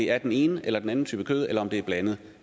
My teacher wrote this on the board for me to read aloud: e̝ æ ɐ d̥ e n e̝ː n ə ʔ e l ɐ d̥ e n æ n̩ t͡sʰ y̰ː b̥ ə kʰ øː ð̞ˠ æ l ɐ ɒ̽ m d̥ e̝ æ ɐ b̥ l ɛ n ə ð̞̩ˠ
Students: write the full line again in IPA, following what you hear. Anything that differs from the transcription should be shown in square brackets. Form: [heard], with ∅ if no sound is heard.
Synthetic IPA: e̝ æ ɐ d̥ e n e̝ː n ə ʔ e l ɐ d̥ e n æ n̩ t͡sʰ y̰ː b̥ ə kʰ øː ð̞ˠ [e] l ɐ ɒ̽ m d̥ e̝ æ ɐ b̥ l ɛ n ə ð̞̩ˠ